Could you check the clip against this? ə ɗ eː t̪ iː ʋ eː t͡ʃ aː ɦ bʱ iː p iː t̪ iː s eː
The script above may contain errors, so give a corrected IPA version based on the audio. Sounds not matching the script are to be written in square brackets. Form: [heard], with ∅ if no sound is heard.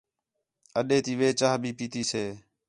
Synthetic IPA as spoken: ə ɗ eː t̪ iː ʋ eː t͡ʃ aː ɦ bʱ iː p iː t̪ iː s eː